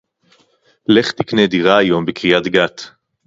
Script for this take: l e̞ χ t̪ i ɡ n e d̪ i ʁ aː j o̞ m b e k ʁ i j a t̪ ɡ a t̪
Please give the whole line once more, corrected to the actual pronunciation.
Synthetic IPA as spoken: l e̞ χ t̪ i k n e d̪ i ʁ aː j o̞ m b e k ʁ i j a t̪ ɡ a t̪